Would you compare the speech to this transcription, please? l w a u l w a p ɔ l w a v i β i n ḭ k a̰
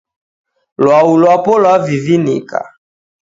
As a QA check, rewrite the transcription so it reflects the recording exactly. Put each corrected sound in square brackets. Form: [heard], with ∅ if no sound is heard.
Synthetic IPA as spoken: l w a u l w a p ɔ l w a v i [v] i n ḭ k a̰